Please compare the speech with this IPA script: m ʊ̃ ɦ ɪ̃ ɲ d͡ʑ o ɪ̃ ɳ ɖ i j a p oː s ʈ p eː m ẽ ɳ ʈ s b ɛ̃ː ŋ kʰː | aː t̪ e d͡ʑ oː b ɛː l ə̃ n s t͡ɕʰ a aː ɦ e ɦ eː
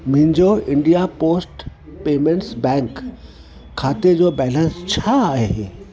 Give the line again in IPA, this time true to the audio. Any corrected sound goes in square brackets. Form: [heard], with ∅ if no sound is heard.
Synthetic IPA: m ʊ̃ ɦ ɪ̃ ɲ d͡ʑ o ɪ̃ ɳ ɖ i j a p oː s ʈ p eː m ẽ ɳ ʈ s b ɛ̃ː ŋ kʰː | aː t̪ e d͡ʑ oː b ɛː l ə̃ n s t͡ɕʰ a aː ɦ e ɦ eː